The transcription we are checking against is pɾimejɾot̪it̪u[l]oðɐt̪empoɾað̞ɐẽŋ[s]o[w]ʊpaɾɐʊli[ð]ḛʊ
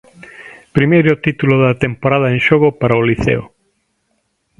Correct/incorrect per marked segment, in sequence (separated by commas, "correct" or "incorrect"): correct, incorrect, incorrect, incorrect